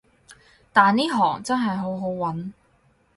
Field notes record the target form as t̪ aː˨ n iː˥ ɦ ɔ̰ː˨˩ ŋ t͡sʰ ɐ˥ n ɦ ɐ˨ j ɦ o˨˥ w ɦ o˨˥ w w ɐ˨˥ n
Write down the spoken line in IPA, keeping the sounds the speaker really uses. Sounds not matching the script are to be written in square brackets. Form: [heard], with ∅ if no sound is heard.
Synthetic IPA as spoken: t̪ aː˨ n iː˥ ɦ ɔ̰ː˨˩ ŋ [t͡s] ɐ˥ n ɦ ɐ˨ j ɦ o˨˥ w ɦ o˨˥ w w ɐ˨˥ n